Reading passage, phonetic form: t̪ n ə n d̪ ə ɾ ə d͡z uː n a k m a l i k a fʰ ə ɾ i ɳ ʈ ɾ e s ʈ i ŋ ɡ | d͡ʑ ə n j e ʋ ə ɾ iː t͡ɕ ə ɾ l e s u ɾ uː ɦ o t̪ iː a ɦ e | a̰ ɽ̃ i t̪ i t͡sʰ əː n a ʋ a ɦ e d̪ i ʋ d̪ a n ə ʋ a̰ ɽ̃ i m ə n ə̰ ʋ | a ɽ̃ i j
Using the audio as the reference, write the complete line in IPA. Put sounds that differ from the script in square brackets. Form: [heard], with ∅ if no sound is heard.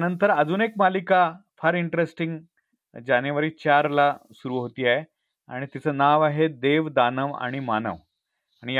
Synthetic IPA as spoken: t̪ n ə n [t̪] ə ɾ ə d͡z uː n [e] k m a l i k a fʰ ə ɾ i ɳ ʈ ɾ e s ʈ i ŋ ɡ | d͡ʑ [a] n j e ʋ ə ɾ iː t͡ɕ [a] ɾ l [a] s u ɾ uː ɦ o t̪ iː a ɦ e | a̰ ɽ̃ i t̪ i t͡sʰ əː n a ʋ a ɦ e d̪ [e] ʋ d̪ a n ə ʋ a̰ ɽ̃ i m [a] n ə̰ ʋ | a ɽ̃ i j